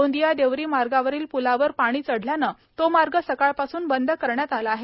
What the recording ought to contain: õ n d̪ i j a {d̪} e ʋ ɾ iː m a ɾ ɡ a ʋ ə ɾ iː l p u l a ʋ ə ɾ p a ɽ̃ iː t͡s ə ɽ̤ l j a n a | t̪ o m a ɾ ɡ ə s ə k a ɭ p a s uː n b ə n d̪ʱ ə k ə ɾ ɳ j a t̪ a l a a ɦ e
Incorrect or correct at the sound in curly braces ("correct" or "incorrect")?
correct